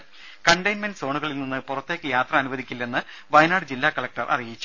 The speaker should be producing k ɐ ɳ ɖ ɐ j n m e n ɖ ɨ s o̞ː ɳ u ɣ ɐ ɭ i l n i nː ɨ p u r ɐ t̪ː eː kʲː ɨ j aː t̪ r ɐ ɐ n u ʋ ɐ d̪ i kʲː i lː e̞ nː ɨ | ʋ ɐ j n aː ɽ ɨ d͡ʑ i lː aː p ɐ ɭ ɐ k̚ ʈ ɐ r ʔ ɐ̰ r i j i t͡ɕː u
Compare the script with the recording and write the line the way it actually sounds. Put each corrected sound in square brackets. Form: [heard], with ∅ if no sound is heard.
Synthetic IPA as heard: k ɐ ɳ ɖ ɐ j n m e n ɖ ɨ s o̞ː ɳ u ɣ ɐ ɭ i l n i nː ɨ p u r ɐ t̪ː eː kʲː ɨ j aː t̪ r ɐ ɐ n u ʋ ɐ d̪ i kʲː i lː e̞ nː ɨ | ʋ ɐ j n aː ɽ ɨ d͡ʑ i lː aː [k] ɐ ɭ ɐ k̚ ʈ ɐ r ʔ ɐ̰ r i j i t͡ɕː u